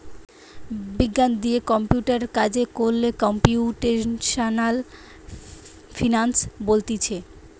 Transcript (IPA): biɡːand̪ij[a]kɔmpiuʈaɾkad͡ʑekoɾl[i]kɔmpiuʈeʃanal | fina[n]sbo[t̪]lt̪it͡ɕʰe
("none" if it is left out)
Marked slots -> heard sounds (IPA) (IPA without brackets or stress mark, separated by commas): e, e, n, none